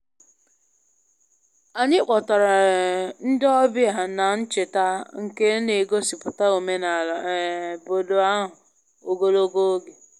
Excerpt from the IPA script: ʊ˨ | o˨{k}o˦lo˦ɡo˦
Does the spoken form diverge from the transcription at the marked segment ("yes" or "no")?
yes